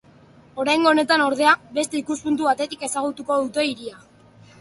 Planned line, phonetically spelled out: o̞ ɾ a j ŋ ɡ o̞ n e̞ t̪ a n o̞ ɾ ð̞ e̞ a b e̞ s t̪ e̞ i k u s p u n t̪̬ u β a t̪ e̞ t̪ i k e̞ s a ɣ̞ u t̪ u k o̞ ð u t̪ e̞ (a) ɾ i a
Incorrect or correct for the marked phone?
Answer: incorrect: i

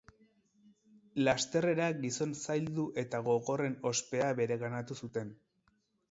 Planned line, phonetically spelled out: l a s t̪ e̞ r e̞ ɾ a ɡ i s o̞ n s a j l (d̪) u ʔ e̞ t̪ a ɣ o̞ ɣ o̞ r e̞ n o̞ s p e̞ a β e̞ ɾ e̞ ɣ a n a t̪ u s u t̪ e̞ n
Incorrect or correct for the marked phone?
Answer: correct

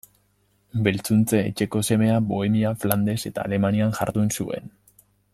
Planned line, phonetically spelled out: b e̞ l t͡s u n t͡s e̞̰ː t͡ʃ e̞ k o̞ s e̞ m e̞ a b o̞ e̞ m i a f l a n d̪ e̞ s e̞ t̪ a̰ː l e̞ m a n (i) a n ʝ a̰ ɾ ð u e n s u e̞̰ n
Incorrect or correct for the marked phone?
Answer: correct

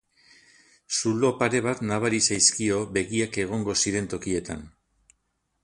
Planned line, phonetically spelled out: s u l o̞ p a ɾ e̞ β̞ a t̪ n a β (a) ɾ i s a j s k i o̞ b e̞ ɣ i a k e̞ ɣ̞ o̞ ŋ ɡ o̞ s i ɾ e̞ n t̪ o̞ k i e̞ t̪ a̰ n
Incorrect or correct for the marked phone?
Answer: correct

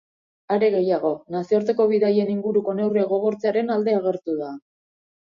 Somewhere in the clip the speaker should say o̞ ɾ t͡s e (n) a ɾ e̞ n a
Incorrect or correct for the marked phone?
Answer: incorrect: none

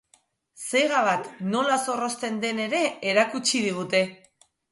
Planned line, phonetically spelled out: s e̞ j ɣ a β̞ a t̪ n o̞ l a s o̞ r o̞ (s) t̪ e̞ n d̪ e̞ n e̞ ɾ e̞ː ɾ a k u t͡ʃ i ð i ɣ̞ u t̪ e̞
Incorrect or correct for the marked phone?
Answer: correct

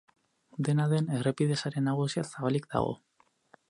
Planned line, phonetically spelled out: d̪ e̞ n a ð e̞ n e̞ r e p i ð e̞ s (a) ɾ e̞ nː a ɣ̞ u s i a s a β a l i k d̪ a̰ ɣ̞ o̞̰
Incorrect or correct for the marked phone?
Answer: correct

